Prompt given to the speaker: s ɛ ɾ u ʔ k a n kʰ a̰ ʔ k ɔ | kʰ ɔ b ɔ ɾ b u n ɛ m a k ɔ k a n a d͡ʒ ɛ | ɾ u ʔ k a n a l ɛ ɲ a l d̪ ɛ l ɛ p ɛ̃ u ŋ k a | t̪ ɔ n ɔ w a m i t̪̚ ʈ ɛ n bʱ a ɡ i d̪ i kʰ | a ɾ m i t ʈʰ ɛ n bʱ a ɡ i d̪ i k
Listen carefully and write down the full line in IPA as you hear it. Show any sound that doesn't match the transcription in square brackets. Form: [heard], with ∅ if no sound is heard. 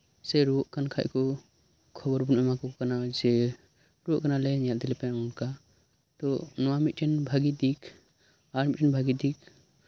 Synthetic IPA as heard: s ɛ ɾ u ʔ k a n kʰ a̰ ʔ k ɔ | kʰ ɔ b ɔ ɾ b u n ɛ m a k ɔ k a n a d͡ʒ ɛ | ɾ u ʔ k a n a l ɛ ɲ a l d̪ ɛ l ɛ p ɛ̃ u [n] k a | t̪ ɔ n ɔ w a m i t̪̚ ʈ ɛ n bʱ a ɡ i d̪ i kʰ | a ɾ m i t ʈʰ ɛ n bʱ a ɡ i d̪ i k